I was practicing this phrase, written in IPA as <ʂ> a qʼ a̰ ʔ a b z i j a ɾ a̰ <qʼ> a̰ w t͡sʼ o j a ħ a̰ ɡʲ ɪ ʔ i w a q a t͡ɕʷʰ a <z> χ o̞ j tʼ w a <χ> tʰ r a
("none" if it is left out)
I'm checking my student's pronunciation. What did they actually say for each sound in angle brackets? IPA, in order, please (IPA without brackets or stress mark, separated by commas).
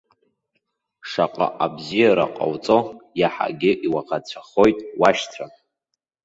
ʂ, qʼ, none, ʃ